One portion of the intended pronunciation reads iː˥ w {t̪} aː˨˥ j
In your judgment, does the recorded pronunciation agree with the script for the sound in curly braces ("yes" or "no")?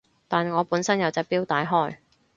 yes